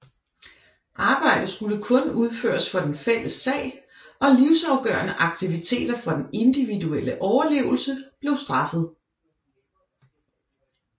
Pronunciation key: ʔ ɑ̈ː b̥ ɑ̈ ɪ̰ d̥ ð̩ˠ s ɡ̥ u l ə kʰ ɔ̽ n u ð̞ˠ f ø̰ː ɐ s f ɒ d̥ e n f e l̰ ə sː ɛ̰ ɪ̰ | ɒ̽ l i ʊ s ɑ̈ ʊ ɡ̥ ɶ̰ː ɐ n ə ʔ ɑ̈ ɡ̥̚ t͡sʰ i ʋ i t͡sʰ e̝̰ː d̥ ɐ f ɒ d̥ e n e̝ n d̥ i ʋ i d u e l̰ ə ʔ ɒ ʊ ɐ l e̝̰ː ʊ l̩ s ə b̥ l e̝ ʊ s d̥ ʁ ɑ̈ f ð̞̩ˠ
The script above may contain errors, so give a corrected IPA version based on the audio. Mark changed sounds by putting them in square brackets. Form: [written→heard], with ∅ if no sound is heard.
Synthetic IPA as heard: ʔ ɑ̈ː b̥ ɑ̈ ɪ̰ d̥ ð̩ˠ s ɡ̥ u l ə kʰ ɔ̽ n u ð̞ˠ f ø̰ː ɐ s f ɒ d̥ e n f e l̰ ə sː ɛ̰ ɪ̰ | ɒ̽ l i ʊ s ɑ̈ ʊ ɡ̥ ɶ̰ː ɐ n ə ʔ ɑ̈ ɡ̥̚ t͡sʰ i ʋ i t͡sʰ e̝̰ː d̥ ɐ f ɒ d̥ e n e̝ n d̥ i ʋ i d u e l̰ ə ʔ ɒ ʊ ɐ l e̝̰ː ʊ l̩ s ə b̥ l e̝ ʊ s d̥ ʁ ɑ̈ f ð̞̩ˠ